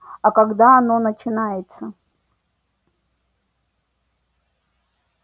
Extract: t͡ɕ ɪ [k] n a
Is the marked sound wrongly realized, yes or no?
yes